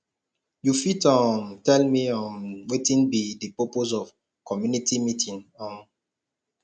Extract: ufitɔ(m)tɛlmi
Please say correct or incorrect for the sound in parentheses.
correct